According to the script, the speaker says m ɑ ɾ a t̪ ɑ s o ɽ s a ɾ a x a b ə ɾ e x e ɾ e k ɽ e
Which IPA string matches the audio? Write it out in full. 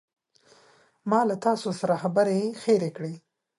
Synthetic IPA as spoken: m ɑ l a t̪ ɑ s o s a ɾ a x a b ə ɾ e x e ɾ e k ɽ e